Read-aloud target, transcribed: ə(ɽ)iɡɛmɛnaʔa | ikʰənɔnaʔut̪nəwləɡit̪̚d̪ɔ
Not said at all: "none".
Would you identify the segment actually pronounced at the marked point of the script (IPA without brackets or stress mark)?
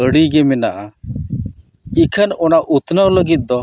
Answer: ɽ